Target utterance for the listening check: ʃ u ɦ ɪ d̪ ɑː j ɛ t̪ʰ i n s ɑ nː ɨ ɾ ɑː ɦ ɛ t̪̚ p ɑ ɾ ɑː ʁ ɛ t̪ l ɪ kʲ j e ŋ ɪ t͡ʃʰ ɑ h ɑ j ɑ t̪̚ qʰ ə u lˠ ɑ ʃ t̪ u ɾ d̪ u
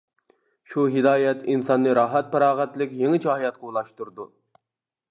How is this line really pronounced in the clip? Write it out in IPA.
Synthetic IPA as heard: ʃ u ɦ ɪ d̪ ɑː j ɛ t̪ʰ i n s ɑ nː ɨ ɾ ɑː ɦ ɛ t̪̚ p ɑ ɾ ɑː ʁ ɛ t̪ l ɪ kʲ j e ŋ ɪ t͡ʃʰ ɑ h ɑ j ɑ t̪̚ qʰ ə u lˠ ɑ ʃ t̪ u ɾ d̪ u